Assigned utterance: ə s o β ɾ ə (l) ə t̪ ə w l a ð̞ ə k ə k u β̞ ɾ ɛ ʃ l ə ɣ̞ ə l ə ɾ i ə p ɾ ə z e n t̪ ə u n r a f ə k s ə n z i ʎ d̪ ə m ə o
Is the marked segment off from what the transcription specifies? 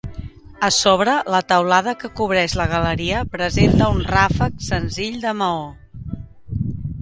no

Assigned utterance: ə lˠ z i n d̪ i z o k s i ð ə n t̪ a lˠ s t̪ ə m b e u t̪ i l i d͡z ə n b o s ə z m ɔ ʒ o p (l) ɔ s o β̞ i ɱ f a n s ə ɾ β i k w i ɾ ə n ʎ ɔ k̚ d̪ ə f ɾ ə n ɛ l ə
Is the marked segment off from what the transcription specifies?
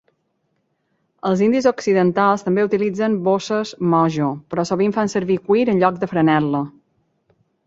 yes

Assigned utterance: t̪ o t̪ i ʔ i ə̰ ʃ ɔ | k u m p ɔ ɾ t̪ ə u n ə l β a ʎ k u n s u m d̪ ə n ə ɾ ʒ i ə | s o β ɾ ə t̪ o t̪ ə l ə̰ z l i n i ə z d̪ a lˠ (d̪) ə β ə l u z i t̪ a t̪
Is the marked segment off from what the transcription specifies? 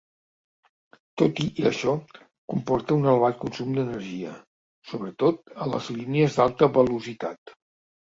yes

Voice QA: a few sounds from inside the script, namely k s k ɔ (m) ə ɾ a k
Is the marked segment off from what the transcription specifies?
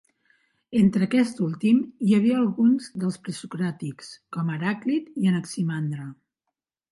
no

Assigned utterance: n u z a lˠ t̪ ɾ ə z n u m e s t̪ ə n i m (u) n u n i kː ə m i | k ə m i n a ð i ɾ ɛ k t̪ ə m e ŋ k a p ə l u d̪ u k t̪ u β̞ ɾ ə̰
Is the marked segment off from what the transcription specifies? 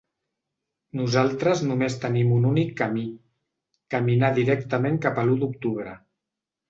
no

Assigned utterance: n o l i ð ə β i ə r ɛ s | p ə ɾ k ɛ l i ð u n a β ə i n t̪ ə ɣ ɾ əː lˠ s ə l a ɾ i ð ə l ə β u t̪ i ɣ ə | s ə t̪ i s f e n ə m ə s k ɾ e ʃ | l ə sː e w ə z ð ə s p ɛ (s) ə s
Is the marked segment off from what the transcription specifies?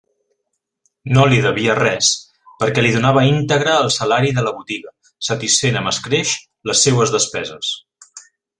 yes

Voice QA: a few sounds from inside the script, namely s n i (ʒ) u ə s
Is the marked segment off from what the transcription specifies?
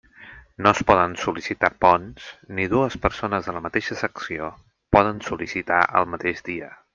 yes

